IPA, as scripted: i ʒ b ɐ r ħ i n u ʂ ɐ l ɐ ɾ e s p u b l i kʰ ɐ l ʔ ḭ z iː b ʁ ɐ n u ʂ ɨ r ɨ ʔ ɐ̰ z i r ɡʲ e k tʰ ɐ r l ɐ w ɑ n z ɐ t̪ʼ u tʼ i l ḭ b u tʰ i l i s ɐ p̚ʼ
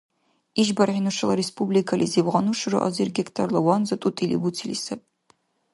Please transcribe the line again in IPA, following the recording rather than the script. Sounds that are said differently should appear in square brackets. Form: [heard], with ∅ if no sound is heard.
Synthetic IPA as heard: i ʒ b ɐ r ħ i n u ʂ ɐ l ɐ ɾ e s p u b l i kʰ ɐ l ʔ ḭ z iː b ʁ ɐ n u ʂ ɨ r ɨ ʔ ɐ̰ z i r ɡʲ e k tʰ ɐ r l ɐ w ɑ n z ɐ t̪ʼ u tʼ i l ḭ b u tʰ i l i s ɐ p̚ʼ